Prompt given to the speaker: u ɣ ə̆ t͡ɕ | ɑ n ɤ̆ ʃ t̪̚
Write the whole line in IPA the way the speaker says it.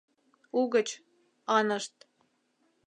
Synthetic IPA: u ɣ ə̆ t͡ɕ | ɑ n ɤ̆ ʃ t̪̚